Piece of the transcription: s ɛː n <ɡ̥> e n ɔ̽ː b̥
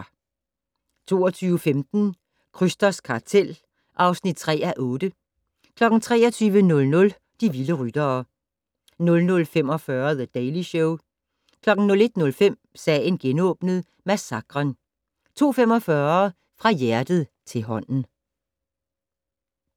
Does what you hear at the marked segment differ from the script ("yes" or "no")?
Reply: no